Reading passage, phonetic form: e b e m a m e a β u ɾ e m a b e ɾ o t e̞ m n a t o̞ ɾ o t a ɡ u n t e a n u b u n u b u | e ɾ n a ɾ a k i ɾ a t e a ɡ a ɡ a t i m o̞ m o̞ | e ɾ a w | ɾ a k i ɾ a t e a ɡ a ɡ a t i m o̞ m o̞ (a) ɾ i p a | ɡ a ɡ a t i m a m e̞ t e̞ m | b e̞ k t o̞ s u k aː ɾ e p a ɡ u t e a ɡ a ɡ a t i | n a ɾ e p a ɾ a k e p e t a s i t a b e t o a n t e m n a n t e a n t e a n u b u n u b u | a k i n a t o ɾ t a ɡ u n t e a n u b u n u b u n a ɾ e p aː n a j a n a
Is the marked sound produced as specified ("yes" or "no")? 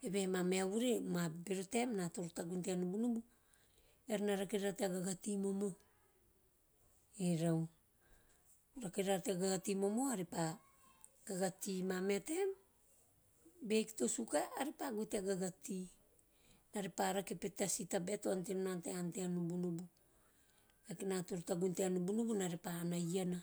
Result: yes